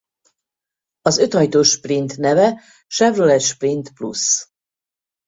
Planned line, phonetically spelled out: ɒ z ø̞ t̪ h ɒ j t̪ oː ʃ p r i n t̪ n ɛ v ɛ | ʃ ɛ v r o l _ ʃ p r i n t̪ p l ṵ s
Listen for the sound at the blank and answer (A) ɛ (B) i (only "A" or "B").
A